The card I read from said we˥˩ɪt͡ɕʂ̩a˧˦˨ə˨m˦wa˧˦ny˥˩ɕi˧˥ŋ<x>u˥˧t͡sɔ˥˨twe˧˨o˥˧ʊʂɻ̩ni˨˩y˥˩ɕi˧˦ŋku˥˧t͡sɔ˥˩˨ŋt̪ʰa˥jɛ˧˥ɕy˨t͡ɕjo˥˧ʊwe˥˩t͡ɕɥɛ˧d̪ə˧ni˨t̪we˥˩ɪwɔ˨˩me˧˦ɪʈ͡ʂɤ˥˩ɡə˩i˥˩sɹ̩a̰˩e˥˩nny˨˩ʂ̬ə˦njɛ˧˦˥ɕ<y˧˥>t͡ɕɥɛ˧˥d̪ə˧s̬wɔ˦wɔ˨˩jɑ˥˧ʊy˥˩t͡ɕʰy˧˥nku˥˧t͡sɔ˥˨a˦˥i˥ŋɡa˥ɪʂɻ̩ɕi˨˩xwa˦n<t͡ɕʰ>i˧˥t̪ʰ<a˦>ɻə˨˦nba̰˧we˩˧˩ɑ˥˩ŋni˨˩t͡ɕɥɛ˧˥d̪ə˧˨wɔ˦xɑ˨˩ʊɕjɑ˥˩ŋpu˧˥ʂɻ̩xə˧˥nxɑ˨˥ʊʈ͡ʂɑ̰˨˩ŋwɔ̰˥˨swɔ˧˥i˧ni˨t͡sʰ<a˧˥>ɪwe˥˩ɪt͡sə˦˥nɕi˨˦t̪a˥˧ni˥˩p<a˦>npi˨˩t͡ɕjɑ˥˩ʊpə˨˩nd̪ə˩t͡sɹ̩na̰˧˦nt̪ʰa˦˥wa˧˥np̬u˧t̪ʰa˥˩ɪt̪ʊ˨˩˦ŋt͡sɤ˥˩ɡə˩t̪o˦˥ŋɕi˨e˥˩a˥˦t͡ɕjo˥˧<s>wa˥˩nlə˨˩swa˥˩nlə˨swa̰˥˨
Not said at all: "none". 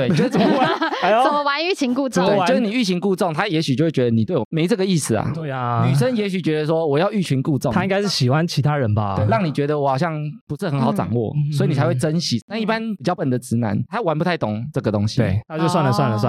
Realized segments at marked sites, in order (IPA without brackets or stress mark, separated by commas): k, y˨˩, t͡ɕʰ, a˦, a˧, a˦, s